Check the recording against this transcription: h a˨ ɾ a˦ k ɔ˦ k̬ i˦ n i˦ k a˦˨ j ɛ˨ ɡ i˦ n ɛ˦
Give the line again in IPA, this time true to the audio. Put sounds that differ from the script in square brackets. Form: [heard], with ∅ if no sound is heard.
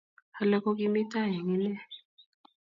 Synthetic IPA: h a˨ [l] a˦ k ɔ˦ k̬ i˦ [m] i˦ [t] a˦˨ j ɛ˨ [ŋ] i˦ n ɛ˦